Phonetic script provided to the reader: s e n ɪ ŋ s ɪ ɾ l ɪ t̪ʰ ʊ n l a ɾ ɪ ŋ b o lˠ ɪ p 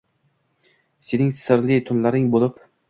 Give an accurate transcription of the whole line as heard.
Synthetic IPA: s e n ɪ ŋ s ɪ ɾ l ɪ t̪ʰ ʊ n l a ɾ ɪ ŋ b o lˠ ɪ p